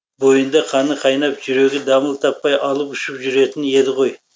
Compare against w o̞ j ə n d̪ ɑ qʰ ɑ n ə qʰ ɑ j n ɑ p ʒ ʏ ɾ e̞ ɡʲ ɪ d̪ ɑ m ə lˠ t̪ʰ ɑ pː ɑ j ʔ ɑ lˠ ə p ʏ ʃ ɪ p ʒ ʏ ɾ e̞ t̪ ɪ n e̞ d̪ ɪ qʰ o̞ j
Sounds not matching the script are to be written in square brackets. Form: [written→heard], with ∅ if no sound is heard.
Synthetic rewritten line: [w→b] o̞ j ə n d̪ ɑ qʰ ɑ n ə qʰ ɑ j n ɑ p ʒ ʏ ɾ e̞ ɡʲ ɪ d̪ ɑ m ə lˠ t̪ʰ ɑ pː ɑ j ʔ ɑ lˠ ə p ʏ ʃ ɪ p ʒ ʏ ɾ e̞ t̪ ɪ n e̞ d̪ ɪ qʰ o̞ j